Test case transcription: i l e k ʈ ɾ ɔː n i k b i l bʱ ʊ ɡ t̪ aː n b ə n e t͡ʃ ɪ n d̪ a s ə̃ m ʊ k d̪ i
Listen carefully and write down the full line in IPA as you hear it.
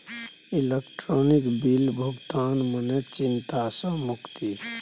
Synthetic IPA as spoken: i l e k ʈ ɾ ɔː n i k b i l bʱ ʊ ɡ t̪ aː n m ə n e t͡ʃ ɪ n t̪ a s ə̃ m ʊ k t̪ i